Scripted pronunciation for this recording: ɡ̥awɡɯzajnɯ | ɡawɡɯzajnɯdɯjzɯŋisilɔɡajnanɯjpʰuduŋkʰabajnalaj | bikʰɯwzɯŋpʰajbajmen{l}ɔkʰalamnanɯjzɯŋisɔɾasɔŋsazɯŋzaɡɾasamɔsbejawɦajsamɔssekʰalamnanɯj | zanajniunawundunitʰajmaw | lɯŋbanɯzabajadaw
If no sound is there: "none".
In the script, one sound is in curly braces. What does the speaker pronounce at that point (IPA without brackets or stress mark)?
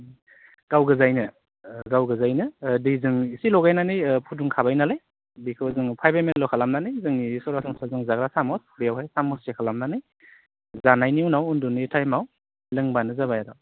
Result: l